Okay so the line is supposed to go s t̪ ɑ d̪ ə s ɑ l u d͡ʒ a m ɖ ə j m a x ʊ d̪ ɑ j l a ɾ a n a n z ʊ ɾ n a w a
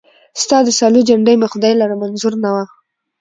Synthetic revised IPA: s t̪ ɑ d̪ ə s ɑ l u d͡ʒ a ɳ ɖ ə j m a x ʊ d̪ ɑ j l a ɾ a m a n z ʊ ɾ n a w a